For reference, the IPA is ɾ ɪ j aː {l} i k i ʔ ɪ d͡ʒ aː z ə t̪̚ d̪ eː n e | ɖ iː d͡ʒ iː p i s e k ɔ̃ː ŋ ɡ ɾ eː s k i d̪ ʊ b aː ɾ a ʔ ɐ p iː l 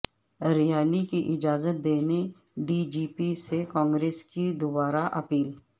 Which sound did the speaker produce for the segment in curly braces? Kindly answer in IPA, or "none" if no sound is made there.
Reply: l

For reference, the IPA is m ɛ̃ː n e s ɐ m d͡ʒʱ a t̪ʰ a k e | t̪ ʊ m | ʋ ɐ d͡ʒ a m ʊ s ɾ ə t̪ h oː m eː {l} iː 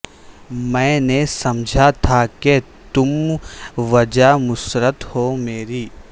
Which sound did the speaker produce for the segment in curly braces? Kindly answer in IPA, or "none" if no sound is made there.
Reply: ɾ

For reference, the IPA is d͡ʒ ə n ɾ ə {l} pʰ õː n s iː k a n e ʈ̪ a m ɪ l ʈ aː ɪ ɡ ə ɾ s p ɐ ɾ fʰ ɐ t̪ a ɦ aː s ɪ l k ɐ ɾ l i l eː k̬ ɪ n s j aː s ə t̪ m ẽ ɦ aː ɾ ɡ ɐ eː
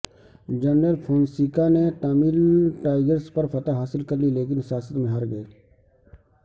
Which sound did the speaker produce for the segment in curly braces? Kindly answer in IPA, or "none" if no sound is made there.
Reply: l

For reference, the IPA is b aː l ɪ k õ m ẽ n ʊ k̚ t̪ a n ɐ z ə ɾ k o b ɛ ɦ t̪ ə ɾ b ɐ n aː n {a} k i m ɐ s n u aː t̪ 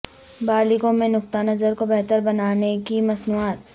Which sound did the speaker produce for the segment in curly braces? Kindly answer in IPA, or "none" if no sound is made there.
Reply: e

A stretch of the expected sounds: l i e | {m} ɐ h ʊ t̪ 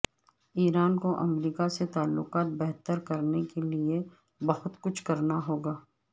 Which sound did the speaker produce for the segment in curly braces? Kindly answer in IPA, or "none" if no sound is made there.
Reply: b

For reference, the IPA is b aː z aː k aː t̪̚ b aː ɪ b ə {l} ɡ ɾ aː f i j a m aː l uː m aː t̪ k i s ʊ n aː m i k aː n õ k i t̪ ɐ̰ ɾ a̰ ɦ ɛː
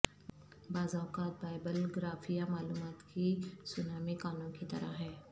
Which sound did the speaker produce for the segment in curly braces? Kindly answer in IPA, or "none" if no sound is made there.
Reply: l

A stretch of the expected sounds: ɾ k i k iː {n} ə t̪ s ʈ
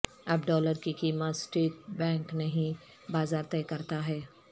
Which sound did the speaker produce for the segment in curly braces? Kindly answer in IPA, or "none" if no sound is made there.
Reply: m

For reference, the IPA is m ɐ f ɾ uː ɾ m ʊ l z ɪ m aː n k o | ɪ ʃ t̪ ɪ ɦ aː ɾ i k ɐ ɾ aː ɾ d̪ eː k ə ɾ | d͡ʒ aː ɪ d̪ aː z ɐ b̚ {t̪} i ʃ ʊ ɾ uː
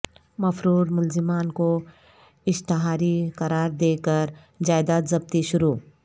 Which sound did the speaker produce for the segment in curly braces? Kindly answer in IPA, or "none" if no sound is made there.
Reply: t̪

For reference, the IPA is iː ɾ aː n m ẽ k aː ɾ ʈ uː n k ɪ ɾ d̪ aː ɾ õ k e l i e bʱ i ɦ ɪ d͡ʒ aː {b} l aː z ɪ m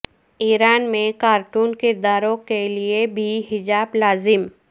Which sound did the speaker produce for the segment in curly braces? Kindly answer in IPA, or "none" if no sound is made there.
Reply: b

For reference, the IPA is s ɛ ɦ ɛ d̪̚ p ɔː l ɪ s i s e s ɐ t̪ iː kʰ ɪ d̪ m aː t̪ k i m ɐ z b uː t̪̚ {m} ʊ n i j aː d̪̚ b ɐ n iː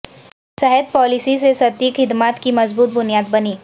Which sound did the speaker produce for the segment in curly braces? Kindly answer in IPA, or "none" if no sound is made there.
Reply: b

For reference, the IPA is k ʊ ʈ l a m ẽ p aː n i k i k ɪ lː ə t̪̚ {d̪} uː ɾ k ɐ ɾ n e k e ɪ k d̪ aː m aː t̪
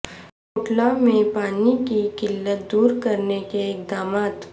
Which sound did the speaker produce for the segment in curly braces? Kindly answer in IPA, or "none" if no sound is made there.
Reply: d̪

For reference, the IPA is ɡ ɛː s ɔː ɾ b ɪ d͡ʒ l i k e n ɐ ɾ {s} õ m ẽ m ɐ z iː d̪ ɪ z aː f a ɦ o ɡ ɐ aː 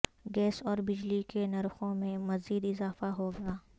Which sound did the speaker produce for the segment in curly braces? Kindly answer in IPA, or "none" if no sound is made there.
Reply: x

